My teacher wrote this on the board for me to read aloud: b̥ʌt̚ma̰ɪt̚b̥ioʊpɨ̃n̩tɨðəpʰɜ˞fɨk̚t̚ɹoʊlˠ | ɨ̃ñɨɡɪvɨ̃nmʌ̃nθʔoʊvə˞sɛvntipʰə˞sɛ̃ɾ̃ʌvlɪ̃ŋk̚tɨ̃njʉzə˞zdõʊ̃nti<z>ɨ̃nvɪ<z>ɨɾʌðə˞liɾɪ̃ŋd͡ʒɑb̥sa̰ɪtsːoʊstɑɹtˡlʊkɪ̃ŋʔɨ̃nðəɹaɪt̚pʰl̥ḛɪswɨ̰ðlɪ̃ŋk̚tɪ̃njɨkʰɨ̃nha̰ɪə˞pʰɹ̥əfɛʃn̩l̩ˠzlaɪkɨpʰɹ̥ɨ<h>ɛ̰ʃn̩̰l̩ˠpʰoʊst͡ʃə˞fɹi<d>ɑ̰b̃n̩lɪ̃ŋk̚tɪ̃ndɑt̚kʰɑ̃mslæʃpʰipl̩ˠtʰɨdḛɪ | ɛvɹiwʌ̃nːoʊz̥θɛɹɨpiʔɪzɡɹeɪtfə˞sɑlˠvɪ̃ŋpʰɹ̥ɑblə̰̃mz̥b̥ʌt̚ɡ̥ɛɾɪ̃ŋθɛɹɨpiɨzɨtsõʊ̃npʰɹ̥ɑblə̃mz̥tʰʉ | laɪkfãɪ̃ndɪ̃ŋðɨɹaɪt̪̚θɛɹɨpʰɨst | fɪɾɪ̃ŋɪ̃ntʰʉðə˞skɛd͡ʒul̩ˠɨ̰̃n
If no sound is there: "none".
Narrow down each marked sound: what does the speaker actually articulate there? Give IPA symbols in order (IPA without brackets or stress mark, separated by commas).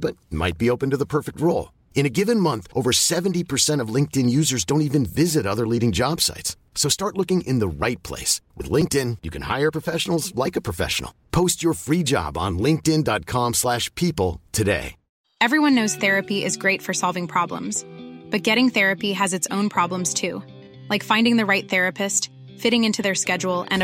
v, z, f, d͡ʒ